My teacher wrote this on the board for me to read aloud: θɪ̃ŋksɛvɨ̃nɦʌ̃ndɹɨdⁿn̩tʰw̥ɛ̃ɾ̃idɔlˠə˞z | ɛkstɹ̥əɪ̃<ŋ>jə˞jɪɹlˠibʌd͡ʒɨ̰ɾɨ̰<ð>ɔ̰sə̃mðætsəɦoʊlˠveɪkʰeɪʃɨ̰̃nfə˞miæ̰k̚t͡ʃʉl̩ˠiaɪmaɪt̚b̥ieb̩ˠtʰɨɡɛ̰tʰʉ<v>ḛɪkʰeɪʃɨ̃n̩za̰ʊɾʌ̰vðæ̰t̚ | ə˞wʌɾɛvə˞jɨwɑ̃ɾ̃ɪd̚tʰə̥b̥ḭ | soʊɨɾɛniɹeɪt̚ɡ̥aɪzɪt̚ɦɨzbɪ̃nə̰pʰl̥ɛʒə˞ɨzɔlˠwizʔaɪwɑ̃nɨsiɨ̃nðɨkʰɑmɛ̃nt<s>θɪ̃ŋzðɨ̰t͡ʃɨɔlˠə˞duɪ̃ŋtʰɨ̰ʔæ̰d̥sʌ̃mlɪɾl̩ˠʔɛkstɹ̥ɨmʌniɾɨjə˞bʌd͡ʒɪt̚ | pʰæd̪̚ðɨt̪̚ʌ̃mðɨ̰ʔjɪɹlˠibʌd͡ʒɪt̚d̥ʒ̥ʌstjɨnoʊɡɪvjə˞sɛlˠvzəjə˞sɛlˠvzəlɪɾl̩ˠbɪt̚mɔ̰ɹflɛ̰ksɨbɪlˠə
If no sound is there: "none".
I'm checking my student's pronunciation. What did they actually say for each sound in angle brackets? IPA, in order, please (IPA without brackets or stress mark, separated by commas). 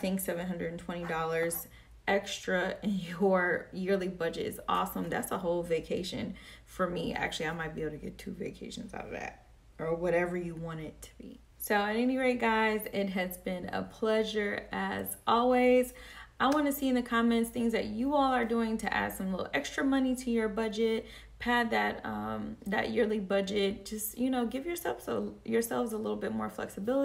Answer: n, z, v, s